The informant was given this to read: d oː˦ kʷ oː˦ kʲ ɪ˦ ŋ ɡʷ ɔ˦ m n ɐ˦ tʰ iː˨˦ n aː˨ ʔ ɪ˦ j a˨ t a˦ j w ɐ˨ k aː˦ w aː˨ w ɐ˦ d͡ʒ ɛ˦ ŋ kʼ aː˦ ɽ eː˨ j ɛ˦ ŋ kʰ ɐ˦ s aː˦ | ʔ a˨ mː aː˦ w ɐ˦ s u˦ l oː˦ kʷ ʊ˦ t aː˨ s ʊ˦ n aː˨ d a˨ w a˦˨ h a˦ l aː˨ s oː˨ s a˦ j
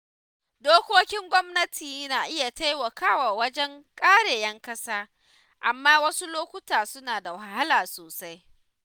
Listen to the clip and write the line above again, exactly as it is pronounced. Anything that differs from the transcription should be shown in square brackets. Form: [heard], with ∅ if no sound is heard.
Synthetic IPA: d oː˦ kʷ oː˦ kʲ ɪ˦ ŋ ɡʷ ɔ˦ m n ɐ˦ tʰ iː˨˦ n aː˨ ʔ ɪ˦ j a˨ t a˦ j w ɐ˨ k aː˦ w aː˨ w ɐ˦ d͡ʒ ɛ˦ ŋ kʼ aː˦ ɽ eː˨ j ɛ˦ ŋ [k] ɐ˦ s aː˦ | ʔ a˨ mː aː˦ w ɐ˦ s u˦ l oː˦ kʷ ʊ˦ t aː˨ s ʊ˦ n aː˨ d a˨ w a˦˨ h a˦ l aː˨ s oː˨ s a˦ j